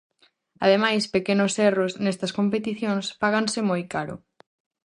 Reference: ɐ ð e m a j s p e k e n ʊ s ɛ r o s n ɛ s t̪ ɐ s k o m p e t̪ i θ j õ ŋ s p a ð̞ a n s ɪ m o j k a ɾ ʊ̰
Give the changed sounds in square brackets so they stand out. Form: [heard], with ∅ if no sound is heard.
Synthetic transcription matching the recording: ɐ ð e m a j s p e k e n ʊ s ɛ r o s n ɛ s t̪ ɐ s k o m p e t̪ i θ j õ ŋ s p a [ɣ̞] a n s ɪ m o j k a ɾ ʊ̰